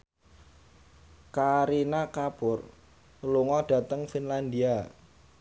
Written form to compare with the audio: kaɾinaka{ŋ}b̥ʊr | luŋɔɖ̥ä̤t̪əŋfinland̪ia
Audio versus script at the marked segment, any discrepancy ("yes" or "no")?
yes